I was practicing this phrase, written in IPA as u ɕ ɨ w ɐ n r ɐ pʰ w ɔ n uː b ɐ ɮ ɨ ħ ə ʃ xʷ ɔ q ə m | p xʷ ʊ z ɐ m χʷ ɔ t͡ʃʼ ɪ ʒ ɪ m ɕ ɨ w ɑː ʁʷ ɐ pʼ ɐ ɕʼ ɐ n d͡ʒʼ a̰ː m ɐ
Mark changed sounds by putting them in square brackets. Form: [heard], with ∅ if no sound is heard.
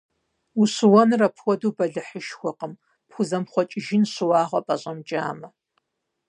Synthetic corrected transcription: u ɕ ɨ w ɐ n r ɐ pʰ w ɔ [d] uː b ɐ ɮ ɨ ħ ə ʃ xʷ ɔ q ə m | p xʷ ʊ z ɐ m χʷ ɔ t͡ʃʼ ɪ ʒ ɪ [n] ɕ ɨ w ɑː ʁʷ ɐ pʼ ɐ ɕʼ ɐ [m] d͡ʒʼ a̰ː m ɐ